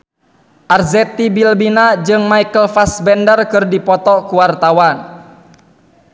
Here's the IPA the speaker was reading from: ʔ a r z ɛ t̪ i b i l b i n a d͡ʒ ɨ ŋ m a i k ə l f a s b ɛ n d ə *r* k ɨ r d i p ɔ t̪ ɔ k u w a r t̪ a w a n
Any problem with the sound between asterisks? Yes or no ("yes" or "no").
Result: no